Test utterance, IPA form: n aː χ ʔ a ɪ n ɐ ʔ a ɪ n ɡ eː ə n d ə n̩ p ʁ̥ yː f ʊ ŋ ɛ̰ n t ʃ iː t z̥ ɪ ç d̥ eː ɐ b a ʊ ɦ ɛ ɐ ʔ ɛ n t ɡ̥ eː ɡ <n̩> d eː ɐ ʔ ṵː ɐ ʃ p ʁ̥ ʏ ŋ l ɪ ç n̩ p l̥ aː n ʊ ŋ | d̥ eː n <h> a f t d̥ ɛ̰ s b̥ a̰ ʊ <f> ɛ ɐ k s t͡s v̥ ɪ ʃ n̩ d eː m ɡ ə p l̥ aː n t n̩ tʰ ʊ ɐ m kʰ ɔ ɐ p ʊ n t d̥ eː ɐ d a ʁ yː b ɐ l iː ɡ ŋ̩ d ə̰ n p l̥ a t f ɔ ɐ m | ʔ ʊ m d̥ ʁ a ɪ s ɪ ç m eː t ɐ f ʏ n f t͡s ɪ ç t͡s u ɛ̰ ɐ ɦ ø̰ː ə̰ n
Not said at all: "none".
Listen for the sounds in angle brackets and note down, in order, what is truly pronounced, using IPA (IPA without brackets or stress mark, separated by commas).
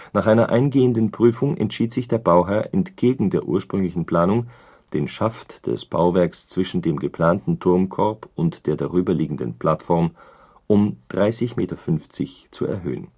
ŋ̩, ʃ, v